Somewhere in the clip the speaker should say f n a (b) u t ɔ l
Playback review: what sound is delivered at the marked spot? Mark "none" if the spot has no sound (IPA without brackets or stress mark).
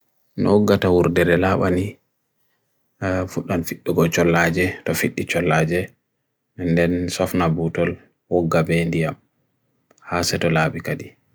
b